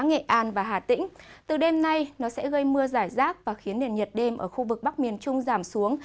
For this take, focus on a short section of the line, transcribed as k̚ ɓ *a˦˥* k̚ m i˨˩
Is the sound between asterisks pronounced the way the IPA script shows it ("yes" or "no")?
yes